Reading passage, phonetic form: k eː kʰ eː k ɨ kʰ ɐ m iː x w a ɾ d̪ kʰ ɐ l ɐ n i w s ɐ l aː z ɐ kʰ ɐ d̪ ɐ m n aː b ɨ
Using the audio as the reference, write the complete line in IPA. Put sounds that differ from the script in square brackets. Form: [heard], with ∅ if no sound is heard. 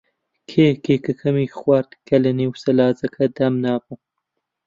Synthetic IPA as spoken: [kʰ] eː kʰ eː k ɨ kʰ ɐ m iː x w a ɾ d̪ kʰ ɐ l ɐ n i w s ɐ l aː z ɐ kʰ ɐ d̪ ɐ m n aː b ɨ